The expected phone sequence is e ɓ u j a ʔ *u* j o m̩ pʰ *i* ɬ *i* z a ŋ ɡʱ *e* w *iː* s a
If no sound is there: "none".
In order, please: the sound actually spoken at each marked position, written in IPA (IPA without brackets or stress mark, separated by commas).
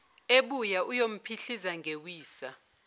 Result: u, i, i, e, iː